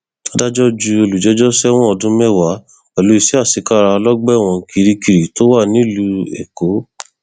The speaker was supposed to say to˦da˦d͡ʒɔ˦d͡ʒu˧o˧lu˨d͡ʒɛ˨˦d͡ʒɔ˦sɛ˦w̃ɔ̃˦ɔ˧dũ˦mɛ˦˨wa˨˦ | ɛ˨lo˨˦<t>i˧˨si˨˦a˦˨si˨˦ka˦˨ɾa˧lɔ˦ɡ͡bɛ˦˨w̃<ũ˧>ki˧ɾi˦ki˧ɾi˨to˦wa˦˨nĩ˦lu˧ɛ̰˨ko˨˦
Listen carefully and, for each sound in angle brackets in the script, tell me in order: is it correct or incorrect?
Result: incorrect: none, incorrect: ɔ̃˧

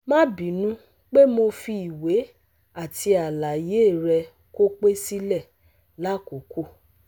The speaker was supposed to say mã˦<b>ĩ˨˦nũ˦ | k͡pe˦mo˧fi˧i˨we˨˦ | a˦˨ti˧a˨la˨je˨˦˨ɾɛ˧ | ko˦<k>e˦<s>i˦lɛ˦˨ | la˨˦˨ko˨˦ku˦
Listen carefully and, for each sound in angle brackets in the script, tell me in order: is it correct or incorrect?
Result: correct, incorrect: k͡p, correct

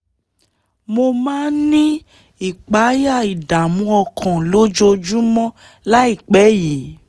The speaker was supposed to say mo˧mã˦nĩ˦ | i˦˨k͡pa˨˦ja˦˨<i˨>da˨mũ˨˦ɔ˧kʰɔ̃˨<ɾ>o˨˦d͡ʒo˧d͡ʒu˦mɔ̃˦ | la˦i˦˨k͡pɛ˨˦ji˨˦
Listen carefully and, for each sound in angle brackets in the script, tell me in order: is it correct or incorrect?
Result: correct, incorrect: l

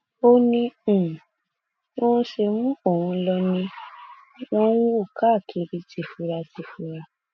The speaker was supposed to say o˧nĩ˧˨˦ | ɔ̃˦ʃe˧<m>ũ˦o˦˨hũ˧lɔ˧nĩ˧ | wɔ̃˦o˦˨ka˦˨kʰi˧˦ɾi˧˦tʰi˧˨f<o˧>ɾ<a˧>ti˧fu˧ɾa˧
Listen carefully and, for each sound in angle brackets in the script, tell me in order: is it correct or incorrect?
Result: correct, incorrect: u˧, correct

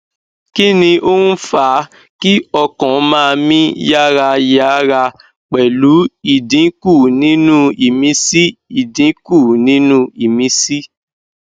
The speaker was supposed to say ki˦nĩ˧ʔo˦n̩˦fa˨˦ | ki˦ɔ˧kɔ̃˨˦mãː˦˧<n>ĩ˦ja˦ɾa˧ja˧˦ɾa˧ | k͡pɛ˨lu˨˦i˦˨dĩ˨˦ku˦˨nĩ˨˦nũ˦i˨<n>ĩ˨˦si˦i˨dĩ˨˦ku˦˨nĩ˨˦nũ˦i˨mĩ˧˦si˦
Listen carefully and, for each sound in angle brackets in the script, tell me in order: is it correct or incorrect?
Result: incorrect: m, incorrect: m

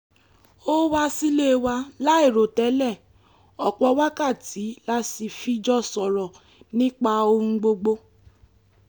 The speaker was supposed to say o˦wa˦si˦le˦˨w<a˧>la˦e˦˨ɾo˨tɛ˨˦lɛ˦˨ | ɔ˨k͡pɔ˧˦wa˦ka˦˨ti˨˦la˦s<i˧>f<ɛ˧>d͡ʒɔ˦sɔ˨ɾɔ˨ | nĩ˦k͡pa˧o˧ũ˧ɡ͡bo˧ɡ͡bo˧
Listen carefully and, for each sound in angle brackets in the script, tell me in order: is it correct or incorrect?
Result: correct, correct, incorrect: i˧

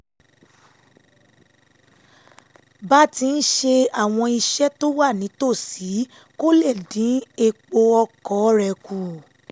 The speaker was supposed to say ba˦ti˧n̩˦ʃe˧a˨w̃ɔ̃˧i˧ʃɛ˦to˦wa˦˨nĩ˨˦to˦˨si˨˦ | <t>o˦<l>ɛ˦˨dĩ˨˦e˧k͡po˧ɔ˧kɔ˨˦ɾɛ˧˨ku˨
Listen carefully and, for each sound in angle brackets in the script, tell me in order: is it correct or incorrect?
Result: incorrect: k, correct

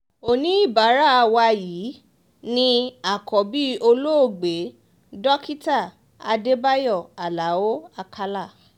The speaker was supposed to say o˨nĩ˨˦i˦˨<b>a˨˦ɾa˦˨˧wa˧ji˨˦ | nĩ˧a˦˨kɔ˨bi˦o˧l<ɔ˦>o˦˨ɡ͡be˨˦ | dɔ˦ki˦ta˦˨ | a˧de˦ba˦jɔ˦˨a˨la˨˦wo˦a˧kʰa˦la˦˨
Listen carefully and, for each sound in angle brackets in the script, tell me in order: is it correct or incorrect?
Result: correct, incorrect: o˦

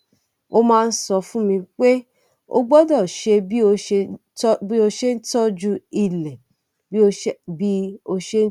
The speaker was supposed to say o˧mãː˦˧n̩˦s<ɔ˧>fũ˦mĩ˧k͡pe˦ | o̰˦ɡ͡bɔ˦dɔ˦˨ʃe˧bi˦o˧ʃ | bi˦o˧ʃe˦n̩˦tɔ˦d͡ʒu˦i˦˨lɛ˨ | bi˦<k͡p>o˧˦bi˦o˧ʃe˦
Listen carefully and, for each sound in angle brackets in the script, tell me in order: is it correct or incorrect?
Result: correct, incorrect: none

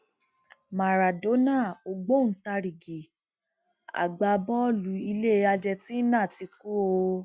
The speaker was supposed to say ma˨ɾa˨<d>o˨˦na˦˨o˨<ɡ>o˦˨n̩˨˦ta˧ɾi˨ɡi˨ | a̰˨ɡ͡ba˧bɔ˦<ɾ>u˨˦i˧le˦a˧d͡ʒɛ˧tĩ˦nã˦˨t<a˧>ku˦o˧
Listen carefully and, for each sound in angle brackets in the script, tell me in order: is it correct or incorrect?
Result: correct, incorrect: ɡ͡b, incorrect: l, incorrect: i˧

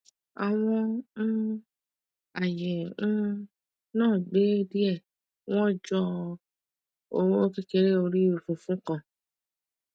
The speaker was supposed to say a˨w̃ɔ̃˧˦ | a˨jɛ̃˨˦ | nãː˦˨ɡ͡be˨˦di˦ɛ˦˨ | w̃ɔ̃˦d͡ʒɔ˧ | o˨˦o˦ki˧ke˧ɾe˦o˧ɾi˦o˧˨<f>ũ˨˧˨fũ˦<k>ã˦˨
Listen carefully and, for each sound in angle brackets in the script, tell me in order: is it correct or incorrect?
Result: correct, correct

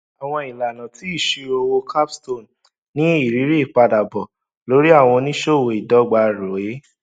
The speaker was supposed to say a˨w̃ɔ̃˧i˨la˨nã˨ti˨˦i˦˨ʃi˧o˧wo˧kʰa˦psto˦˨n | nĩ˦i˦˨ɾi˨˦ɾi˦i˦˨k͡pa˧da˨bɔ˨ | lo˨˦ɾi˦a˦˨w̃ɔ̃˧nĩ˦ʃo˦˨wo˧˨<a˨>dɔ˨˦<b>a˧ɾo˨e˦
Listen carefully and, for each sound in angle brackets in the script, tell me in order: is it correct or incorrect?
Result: incorrect: i˨, incorrect: ɡ͡b

